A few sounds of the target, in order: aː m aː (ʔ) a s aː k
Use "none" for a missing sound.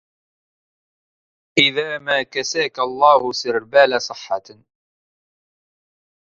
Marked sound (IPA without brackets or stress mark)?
k